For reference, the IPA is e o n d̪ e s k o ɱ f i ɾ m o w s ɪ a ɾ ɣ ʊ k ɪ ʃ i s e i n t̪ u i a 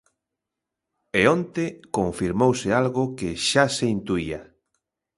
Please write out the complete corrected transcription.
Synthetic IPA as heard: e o n t̪ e k o ɱ f i ɾ m o w s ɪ a l ɣ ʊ k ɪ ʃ a s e i n t̪ u i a